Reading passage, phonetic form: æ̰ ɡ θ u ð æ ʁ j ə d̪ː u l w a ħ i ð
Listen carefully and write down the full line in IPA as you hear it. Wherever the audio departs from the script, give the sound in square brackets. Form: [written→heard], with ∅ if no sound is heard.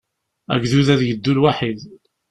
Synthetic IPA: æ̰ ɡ [θ→ð] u ð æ [ʁ→ð] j ə d̪ː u l w a ħ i ð

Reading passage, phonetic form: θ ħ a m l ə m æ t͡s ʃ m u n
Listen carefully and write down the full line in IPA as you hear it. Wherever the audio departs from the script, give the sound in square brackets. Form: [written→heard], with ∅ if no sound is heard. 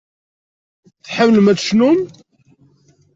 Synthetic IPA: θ ħ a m l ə m æ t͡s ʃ [m→n] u [n→m]

